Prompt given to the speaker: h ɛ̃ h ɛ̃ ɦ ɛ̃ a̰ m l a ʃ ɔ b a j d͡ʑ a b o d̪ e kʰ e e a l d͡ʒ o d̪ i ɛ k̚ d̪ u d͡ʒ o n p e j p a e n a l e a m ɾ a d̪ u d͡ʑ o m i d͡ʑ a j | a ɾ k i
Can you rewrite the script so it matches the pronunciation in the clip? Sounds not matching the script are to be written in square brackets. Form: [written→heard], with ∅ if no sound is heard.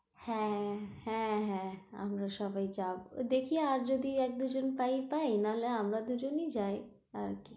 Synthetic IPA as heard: h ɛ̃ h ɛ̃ ɦ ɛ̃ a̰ m [l→ɾ] a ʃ ɔ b a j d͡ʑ a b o d̪ e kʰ [e→i] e a [l→ɾ] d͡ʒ o d̪ i ɛ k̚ d̪ u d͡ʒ o n p [e→a] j p a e n a l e a m ɾ a d̪ u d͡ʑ o [m→n] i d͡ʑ a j | a ɾ k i